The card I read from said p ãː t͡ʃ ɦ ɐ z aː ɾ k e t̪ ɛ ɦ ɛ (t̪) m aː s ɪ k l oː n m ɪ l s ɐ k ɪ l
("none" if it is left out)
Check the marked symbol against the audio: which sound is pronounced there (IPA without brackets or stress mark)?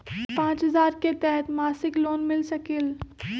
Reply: t̪